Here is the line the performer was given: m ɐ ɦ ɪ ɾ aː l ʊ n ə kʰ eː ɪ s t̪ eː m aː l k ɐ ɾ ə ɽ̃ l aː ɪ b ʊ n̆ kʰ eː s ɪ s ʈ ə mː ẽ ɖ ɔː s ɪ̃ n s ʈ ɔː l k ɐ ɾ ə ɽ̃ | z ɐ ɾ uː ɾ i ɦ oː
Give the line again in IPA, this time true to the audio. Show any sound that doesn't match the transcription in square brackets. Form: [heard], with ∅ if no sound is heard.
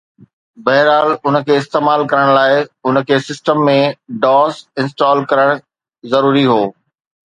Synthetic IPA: [b] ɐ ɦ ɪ ɾ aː l ʊ n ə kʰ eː ɪ s t̪ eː m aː l k ɐ ɾ ə ɽ̃ l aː ɪ [∅] ʊ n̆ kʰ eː s ɪ s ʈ ə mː ẽ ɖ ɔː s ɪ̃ n s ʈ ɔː l k ɐ ɾ ə ɽ̃ | z ɐ ɾ uː ɾ i ɦ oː

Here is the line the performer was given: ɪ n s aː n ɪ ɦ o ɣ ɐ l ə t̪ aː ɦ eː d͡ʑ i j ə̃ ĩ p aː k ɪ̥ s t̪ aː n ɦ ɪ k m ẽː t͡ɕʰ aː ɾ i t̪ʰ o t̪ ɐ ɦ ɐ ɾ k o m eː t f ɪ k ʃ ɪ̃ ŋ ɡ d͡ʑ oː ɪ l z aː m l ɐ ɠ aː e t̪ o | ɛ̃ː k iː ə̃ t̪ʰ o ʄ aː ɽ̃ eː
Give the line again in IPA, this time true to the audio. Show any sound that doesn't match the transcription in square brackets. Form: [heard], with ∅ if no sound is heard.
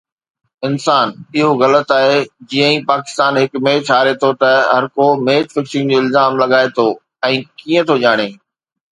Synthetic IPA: ɪ n s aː n ɪ ɦ o ɣ ɐ l ə t̪ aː ɦ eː d͡ʑ i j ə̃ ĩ p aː k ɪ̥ s t̪ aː n ɦ ɪ k m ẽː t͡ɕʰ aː ɾ [e] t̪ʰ o t̪ ɐ ɦ ɐ ɾ k o m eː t f ɪ k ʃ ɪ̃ ŋ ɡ d͡ʑ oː ɪ l z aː m l ɐ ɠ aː e [t̪ʰ] o | ɛ̃ː k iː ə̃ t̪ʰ o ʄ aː ɽ̃ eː

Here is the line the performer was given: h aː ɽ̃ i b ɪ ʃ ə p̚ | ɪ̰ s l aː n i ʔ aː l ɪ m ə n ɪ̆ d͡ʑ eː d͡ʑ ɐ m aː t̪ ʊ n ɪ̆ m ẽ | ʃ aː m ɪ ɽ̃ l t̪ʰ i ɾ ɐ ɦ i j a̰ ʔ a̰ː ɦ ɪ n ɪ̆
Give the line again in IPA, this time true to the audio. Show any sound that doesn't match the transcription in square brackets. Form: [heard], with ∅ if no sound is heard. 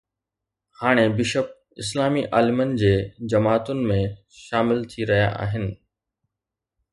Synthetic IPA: h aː ɽ̃ [e] b ɪ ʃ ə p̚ | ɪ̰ s l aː [m] i ʔ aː l ɪ m ə n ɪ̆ d͡ʑ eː d͡ʑ ɐ m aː t̪ ʊ n ɪ̆ m ẽ | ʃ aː m ɪ [∅] l t̪ʰ i ɾ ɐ ɦ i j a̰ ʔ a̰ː ɦ ɪ n ɪ̆

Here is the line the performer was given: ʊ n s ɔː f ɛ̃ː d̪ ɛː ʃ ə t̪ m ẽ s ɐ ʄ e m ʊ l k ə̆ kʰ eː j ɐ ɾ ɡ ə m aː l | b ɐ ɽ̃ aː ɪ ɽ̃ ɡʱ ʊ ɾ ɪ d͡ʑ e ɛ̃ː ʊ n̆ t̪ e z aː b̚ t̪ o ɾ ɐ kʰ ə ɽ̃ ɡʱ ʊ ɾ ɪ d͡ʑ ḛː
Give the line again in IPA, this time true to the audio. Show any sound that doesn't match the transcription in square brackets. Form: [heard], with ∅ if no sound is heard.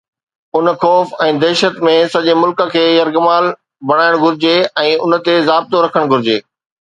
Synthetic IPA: ʊ n [x] ɔː f ɛ̃ː d̪ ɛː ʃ ə t̪ m ẽ s ɐ ʄ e m ʊ l k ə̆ kʰ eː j ɐ ɾ ɡ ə m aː l | b ɐ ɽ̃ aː ɪ ɽ̃ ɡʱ ʊ ɾ ɪ d͡ʑ e ɛ̃ː ʊ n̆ t̪ e z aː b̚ t̪ o ɾ ɐ kʰ ə ɽ̃ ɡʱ ʊ ɾ ɪ d͡ʑ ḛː

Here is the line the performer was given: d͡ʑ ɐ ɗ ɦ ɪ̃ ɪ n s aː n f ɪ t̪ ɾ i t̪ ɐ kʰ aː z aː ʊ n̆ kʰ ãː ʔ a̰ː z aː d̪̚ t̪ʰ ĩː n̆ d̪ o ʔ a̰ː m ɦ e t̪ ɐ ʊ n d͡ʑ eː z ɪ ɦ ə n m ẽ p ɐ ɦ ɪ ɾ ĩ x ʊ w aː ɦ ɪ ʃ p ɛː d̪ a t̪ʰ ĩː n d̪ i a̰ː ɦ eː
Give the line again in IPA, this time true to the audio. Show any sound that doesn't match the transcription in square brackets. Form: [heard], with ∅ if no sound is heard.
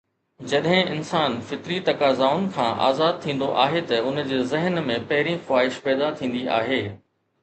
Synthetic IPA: d͡ʑ ɐ ɗ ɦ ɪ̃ ɪ n s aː n f ɪ t̪ ɾ i t̪ ɐ [k] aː z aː ʊ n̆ kʰ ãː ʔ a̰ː z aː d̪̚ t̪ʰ ĩː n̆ d̪ o ʔ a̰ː [∅] ɦ e t̪ ɐ ʊ n d͡ʑ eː z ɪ ɦ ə n m ẽ p ɐ ɦ ɪ ɾ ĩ x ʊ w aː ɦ ɪ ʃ p ɛː d̪ a t̪ʰ ĩː n d̪ i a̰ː ɦ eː

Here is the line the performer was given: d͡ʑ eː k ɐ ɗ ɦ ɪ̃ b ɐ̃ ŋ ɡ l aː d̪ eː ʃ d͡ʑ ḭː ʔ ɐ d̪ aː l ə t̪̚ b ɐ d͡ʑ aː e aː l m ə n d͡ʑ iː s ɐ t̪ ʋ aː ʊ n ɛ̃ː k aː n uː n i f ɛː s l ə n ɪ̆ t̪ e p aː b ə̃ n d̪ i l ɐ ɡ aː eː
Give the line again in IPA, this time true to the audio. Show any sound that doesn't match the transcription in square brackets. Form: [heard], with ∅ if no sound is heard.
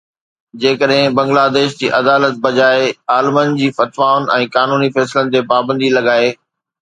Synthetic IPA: d͡ʑ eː k [ə] ɗ ɦ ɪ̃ b ɐ̃ ŋ ɡ l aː d̪ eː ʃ d͡ʑ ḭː ʔ ɐ d̪ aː l ə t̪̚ b ɐ d͡ʑ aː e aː l m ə n d͡ʑ iː [f] ɐ t̪ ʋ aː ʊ n ɛ̃ː k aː n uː n i f ɛː s l ə n ɪ̆ t̪ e p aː b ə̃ n d̪ i l ɐ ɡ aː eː

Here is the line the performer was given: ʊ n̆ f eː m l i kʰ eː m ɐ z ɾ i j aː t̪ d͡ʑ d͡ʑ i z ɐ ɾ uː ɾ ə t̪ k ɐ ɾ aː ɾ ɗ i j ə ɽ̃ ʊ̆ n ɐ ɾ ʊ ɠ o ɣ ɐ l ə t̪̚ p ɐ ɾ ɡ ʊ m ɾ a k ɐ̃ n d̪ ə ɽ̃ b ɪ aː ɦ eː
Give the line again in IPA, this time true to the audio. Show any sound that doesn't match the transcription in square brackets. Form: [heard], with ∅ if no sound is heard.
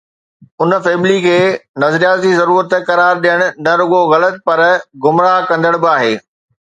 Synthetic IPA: ʊ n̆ f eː m l i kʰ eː [n] ɐ z ɾ i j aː t̪ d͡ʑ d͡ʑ i z ɐ ɾ uː ɾ ə t̪ k ɐ ɾ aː ɾ ɗ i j ə ɽ̃ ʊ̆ n ɐ ɾ ʊ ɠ o ɣ ɐ l ə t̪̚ p ɐ ɾ ɡ ʊ m ɾ a k ɐ̃ n d̪ ə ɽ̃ b ɪ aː ɦ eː

